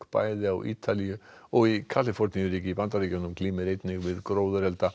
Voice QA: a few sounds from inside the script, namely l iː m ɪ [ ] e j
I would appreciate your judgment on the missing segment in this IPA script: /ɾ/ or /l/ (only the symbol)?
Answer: ɾ